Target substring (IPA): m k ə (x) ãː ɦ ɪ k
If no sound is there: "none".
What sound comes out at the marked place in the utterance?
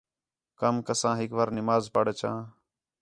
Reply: s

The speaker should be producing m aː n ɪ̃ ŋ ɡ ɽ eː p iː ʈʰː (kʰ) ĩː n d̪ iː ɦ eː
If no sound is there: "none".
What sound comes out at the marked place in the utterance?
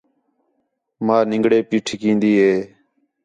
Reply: k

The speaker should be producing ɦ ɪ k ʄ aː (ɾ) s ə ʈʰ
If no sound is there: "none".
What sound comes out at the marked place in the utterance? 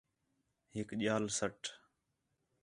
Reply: l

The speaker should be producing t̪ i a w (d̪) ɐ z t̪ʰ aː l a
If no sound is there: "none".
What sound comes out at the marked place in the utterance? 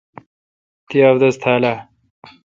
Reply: d̪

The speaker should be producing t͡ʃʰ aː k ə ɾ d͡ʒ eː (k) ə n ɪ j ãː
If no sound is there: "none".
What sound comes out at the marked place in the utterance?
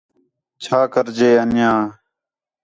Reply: none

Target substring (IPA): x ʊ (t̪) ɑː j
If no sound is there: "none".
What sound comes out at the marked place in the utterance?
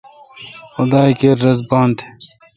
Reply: d̪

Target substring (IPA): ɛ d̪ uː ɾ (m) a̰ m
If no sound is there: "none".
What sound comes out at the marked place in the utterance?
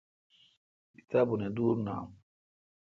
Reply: n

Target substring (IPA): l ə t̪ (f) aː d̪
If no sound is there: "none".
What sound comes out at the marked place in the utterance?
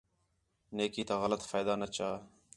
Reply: f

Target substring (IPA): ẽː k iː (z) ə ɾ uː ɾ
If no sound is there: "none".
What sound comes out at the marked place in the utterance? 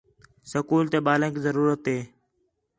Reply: z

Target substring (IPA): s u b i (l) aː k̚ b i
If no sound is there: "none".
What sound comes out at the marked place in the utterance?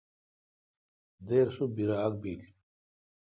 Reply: ɾ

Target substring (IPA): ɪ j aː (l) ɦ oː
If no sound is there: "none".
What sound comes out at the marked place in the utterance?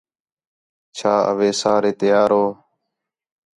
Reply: ɾ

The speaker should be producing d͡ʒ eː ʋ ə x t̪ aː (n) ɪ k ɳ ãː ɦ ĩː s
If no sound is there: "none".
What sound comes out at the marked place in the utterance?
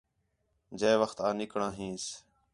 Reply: n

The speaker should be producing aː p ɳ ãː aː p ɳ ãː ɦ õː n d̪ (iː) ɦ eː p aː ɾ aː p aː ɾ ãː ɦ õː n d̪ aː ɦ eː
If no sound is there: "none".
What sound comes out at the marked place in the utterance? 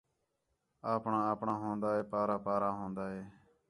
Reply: aː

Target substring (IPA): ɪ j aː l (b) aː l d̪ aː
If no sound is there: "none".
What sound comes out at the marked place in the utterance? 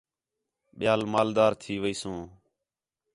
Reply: m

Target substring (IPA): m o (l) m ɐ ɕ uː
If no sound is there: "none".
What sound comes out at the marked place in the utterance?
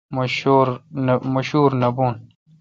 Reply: ɾ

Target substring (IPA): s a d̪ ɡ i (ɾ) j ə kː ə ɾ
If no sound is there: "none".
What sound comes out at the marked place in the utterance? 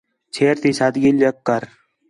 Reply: l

